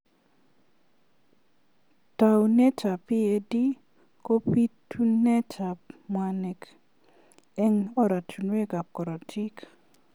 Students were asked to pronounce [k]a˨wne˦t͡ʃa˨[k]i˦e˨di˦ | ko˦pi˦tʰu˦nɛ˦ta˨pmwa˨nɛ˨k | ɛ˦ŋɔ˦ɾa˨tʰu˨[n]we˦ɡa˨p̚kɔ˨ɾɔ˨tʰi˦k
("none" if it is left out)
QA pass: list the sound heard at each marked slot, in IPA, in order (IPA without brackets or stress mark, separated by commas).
t, p, n